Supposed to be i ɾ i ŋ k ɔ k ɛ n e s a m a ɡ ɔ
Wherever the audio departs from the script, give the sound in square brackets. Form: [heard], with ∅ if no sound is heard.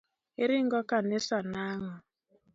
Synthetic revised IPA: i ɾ i ŋ [ɡ] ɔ k [a] n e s a [n] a [ŋ] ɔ